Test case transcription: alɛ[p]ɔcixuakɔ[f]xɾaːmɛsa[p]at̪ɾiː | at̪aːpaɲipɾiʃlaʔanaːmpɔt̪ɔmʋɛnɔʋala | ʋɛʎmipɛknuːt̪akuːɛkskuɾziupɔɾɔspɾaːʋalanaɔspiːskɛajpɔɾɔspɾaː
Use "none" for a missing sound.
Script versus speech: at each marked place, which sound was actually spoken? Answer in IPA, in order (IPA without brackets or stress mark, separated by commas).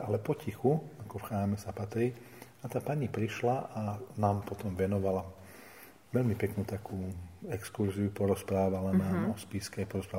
p, f, p